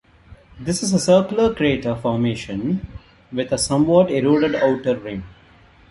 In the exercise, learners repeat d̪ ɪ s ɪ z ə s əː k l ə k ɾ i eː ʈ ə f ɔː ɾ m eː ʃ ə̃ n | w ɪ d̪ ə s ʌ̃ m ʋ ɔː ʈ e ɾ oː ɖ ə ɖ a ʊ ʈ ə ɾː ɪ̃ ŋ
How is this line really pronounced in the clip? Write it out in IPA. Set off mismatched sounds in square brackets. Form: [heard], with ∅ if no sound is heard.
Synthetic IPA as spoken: d̪ ɪ s ɪ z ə s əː k l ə k ɾ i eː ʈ ə f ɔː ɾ m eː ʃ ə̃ n | [ʋ] ɪ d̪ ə s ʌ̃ m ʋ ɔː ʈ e ɾ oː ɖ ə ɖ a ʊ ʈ ə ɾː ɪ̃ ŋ